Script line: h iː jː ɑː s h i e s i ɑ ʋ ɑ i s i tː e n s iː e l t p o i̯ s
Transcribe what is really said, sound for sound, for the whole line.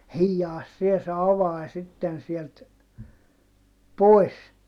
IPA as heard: h iː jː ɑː s s i e s e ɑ ʋ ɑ i s i tː e n s i e l t p o i̯ s